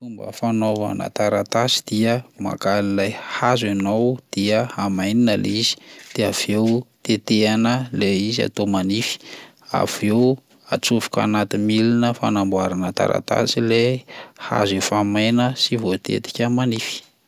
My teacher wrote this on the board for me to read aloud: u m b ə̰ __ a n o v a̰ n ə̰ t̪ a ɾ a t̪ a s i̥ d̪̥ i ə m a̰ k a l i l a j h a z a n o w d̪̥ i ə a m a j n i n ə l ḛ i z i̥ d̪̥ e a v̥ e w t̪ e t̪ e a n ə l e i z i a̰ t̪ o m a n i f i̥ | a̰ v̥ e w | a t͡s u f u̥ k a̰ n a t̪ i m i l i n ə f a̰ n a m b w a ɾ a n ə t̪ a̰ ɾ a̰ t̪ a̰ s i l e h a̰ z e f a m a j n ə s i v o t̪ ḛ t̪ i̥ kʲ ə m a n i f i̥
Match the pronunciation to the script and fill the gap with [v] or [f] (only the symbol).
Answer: f